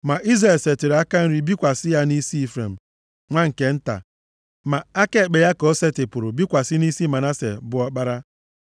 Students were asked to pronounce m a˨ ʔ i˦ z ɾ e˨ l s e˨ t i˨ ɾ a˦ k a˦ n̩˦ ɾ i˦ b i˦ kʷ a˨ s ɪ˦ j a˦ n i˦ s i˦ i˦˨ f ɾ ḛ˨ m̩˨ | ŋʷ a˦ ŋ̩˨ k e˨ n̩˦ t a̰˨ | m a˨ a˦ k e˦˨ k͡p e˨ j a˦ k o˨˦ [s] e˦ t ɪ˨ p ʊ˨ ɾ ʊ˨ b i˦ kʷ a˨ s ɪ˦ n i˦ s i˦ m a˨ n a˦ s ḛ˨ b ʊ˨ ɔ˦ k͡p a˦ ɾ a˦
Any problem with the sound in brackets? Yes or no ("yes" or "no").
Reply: no